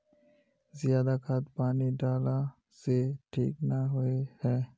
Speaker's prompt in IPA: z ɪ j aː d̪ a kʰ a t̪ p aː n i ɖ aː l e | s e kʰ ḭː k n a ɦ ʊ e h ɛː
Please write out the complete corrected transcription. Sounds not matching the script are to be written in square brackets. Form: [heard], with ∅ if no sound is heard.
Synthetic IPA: z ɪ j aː d̪ a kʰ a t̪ p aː n i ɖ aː l [a] | s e [ʈʰ] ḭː k n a ɦ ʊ e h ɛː